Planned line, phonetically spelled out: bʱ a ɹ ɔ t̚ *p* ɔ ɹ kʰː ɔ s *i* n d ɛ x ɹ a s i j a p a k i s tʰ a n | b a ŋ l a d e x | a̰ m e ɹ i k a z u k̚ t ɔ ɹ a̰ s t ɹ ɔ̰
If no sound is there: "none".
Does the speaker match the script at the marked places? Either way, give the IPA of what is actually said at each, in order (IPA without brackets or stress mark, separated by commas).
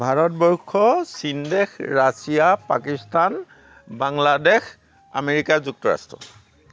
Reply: b, i